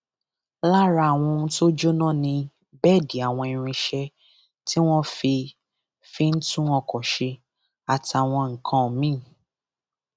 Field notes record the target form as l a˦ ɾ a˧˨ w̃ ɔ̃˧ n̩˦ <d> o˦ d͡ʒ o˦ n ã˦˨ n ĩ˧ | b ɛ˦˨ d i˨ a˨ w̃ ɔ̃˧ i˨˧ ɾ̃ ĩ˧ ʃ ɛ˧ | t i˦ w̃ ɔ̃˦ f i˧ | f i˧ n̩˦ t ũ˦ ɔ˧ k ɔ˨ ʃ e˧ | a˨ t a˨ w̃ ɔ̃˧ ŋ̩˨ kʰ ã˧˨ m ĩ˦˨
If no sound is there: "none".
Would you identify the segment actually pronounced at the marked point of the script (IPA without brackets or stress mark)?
t